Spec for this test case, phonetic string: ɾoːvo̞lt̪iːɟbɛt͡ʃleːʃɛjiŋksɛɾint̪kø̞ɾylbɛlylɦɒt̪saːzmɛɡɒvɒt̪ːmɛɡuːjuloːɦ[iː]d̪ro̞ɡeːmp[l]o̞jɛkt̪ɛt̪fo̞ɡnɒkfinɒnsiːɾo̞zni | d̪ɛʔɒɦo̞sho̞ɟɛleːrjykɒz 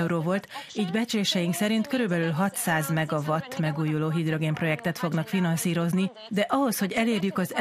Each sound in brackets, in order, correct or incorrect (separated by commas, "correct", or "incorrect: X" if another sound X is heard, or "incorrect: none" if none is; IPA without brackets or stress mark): incorrect: i, incorrect: r